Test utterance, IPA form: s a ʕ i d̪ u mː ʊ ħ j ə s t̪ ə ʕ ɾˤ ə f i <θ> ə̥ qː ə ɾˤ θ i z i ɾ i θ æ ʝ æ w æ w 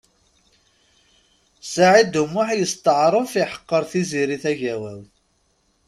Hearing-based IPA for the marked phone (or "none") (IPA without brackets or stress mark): ħ